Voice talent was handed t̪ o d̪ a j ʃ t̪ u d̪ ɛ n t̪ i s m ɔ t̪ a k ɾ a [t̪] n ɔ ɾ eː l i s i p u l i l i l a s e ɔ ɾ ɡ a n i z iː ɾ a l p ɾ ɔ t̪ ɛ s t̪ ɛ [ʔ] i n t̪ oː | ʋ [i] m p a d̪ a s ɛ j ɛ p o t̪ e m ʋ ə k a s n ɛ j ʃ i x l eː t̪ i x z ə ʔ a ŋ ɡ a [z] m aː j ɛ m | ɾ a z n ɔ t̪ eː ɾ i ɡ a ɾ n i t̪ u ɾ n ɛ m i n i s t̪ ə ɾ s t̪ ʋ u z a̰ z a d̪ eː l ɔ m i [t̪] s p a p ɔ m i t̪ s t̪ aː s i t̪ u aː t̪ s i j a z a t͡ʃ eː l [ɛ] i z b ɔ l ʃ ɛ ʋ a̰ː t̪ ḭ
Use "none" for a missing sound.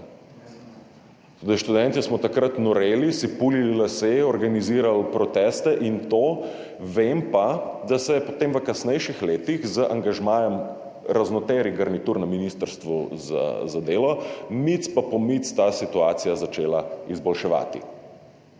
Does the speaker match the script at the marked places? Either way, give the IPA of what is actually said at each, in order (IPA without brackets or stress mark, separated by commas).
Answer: t̪, ʔ, e, ʒ, t̪, a